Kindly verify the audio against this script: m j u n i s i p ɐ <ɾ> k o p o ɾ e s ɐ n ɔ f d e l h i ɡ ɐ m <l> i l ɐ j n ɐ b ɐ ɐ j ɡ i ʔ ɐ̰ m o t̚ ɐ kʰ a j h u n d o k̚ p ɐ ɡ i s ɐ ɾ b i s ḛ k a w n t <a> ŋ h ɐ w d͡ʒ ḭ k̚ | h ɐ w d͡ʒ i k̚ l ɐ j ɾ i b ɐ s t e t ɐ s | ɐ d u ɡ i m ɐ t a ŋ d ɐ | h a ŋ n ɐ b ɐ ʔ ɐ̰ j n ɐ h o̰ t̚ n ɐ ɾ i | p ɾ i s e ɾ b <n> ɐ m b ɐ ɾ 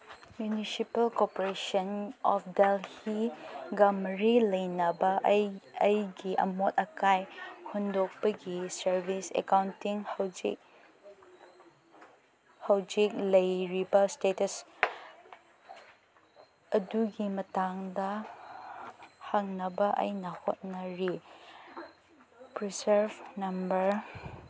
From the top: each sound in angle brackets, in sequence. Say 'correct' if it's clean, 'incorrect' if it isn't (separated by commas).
incorrect, incorrect, incorrect, correct